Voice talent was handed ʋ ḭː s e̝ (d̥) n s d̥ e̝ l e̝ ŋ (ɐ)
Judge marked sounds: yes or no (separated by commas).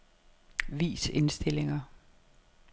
no, yes